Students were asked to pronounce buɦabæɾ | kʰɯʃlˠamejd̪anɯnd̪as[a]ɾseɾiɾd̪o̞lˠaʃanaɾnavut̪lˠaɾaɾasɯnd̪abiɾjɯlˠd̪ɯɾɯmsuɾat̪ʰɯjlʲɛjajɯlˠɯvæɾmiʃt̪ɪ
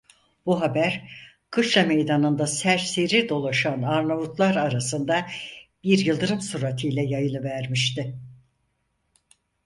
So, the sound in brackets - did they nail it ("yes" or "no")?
no